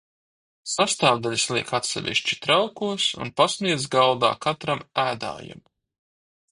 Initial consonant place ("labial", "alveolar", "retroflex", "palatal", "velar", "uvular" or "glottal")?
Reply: alveolar